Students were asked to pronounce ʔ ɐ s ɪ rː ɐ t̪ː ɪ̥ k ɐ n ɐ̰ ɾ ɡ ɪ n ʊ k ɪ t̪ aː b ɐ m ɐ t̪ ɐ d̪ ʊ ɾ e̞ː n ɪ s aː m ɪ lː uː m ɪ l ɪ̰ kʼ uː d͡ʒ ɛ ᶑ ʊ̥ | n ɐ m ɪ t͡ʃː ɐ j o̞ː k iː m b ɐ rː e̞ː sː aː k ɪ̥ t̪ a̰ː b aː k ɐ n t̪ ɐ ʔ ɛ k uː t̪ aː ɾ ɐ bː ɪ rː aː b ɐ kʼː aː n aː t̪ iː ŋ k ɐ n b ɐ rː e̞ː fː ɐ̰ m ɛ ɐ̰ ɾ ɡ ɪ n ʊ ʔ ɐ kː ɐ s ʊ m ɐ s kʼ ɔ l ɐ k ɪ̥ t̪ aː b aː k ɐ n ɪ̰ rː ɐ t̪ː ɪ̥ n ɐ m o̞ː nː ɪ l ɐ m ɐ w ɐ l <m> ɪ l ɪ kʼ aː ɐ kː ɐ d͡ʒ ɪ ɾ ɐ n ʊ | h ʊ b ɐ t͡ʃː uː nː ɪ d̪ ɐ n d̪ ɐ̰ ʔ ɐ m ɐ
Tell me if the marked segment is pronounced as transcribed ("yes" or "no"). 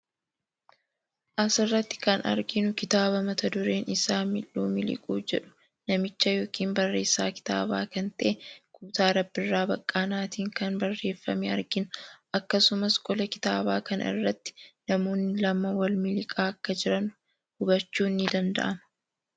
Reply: yes